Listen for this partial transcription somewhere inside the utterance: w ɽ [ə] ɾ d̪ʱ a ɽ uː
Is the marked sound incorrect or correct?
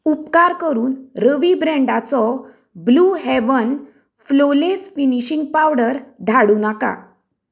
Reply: correct